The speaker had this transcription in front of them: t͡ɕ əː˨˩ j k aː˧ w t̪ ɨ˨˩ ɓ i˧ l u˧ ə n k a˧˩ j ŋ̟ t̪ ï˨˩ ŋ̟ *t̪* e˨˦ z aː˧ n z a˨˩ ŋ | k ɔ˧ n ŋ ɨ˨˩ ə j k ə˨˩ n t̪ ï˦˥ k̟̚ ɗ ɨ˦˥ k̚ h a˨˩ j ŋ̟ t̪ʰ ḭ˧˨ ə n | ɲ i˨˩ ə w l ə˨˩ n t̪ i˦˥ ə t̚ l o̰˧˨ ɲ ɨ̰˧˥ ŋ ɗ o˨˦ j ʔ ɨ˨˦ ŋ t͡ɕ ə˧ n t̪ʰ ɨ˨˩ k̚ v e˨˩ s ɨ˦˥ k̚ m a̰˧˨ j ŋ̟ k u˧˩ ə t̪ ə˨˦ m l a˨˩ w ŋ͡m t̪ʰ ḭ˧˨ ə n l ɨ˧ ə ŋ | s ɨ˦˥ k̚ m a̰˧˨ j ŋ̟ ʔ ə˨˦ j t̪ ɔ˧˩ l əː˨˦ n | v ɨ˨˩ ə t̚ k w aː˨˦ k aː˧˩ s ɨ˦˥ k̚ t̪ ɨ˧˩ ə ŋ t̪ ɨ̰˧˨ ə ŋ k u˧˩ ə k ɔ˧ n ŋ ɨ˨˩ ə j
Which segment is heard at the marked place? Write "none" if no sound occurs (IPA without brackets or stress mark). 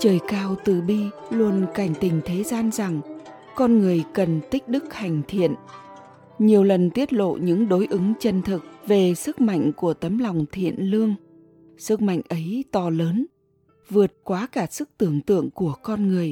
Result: t̪ʰ